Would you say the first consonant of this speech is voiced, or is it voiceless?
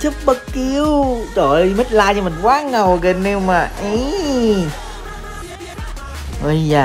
voiceless